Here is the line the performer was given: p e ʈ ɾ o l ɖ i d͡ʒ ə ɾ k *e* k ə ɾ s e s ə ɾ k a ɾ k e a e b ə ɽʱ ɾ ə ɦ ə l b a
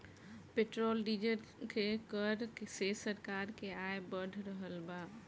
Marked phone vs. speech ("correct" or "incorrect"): correct